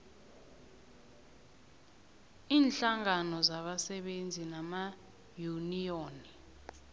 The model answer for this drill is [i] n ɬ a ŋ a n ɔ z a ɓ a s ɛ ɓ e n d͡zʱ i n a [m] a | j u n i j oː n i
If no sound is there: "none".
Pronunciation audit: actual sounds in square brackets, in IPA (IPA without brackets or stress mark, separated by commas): iː, m